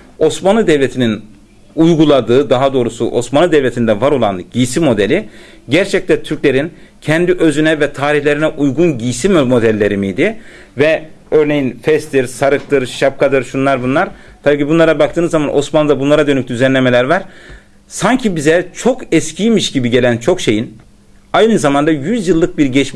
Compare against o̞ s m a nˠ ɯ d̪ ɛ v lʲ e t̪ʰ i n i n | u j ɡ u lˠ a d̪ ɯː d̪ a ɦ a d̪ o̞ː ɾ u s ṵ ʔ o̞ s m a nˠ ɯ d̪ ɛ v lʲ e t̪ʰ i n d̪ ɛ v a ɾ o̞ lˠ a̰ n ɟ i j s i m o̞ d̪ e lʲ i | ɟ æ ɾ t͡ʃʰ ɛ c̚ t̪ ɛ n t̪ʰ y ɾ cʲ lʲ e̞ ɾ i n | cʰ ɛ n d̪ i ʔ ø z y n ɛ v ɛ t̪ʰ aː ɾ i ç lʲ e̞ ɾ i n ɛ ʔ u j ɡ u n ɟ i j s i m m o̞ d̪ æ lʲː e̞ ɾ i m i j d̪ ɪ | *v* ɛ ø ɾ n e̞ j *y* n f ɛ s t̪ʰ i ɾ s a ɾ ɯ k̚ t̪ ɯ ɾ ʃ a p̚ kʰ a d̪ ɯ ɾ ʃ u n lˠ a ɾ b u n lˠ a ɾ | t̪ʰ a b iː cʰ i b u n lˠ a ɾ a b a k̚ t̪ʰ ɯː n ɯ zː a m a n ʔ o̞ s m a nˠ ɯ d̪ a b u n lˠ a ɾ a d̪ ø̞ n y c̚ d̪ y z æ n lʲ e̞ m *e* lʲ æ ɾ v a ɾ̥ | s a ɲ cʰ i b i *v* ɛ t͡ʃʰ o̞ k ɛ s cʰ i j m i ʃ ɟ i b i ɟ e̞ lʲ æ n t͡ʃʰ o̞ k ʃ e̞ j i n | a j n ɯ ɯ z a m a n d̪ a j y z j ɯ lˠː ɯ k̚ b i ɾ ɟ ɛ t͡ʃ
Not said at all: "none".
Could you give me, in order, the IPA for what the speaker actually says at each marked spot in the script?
v, i, e, z

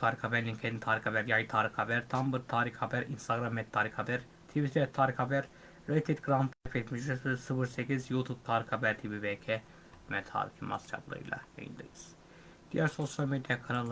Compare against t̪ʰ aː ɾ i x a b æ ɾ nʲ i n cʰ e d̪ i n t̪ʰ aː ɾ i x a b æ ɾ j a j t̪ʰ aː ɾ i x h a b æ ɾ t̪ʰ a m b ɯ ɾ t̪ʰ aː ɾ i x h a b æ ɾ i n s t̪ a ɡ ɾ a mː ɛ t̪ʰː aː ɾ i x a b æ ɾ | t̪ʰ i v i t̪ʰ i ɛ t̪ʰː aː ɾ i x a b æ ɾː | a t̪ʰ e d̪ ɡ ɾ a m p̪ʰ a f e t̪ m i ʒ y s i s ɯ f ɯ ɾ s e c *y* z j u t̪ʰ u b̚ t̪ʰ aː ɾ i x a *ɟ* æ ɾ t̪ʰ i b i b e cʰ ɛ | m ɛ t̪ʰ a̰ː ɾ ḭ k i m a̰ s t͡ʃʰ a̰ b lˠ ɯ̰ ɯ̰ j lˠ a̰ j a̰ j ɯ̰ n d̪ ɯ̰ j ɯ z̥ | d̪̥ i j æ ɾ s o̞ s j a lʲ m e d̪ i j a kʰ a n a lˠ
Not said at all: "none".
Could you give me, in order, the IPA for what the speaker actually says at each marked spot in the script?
i, b

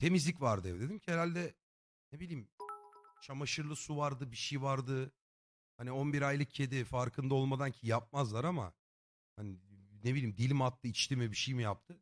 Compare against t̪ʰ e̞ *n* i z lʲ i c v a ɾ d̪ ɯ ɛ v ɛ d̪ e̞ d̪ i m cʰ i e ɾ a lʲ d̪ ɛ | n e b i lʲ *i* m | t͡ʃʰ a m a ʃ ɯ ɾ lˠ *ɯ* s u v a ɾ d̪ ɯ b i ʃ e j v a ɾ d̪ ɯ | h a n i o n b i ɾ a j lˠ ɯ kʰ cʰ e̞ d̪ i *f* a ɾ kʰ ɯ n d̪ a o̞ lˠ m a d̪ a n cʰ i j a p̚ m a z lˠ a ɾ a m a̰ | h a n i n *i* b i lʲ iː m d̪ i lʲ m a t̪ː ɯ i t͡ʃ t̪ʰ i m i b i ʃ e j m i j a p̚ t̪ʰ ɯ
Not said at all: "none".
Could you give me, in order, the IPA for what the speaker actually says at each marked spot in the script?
m, iː, ɯ, f, e

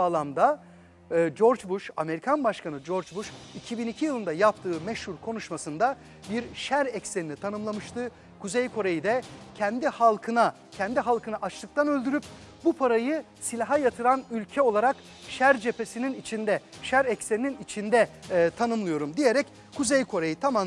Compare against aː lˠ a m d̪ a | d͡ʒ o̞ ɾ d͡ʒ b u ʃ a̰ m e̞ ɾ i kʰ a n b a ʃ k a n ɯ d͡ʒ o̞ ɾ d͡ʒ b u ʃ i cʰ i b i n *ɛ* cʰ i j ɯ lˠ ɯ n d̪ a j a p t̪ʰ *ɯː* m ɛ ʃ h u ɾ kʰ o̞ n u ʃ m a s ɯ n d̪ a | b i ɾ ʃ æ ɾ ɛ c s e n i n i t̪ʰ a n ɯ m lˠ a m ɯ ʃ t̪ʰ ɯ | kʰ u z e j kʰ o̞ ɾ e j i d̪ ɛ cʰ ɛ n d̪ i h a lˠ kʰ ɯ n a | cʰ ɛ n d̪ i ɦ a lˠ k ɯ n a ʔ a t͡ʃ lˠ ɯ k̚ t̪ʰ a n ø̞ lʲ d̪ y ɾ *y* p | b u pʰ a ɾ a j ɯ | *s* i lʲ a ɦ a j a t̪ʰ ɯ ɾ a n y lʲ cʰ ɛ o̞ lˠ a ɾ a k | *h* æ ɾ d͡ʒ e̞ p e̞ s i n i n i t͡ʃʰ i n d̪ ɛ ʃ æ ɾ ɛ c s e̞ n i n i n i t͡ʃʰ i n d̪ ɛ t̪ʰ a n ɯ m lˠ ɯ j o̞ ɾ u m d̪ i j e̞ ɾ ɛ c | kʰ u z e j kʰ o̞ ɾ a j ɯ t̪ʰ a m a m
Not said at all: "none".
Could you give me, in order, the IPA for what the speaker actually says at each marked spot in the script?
i, ɯː, y, s, ʃ

